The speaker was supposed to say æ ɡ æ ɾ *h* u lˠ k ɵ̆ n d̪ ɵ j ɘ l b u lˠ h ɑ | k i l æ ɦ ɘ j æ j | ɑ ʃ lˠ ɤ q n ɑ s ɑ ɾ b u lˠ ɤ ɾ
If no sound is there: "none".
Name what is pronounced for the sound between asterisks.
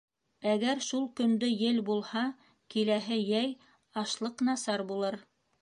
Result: ʃ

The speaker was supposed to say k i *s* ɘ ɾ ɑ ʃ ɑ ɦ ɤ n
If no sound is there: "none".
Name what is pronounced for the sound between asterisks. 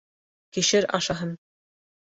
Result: ʃ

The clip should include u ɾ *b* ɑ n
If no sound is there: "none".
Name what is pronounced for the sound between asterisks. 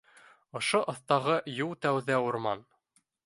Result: m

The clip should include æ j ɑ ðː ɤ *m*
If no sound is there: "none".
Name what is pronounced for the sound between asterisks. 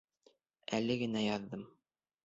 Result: m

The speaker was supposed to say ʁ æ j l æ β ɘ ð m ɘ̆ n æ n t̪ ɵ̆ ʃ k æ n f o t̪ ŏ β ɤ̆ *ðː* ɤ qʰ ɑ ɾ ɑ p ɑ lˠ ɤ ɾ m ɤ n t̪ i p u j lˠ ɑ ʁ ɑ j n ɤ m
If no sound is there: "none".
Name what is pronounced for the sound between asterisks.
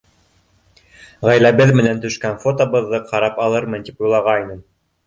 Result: ðː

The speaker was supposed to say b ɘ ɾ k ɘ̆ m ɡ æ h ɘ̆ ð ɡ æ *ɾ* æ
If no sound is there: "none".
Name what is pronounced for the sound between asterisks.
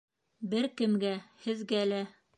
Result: l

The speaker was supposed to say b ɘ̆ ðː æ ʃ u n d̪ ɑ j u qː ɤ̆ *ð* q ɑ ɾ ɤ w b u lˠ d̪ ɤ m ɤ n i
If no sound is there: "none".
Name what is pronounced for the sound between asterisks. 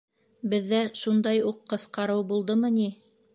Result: θ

